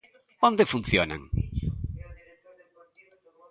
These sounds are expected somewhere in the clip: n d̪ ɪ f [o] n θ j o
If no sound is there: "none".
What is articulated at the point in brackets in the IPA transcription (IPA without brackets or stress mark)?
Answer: u